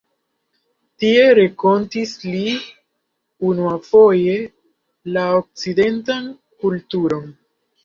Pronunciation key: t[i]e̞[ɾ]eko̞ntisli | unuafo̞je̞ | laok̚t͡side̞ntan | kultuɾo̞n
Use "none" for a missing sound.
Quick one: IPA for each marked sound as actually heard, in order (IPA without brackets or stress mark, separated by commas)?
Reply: i, ɾ